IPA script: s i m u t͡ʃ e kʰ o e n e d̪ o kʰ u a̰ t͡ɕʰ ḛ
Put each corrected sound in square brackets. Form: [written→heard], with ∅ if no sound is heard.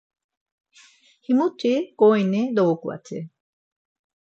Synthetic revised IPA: [s→h] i m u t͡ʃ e [kʰ→k] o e n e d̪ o [kʰ→k] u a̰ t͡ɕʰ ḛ

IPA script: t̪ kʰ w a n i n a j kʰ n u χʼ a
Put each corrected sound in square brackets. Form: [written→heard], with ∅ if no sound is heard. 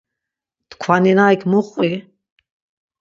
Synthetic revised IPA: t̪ kʰ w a n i n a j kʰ [n→m] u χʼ [a→i]

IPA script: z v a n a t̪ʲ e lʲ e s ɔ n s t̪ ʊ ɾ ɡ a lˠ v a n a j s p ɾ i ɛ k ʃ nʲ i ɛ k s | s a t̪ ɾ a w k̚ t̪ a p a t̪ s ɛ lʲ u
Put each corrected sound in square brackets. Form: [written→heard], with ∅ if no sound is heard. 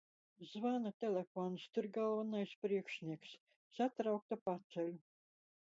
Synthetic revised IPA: z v a n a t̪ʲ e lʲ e [s→f] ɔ n s t̪ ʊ ɾ ɡ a lˠ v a n a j s p ɾ i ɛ k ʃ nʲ i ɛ k s | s a t̪ ɾ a w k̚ t̪ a p a t̪ s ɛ lʲ u

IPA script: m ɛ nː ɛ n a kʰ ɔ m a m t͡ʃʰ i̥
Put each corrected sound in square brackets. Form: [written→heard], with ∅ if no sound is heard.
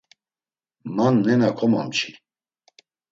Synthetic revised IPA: m [ɛ→a] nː ɛ n a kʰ ɔ m a m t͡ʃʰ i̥

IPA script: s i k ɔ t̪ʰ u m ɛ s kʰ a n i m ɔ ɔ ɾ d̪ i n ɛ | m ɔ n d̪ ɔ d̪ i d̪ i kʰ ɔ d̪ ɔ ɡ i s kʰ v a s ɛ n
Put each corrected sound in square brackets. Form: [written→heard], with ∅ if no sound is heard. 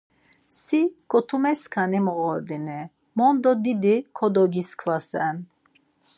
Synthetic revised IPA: s i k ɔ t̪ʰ u m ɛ s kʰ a n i m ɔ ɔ ɾ d̪ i n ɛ | m ɔ n d̪ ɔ d̪ i d̪ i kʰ ɔ d̪ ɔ ɡ i s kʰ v a s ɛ n

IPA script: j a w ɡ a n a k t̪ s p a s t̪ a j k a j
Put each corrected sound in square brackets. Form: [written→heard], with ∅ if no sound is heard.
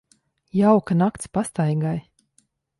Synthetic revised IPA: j a w [ɡ→k] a n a k t̪ s p a s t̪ a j [k→ɡ] a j

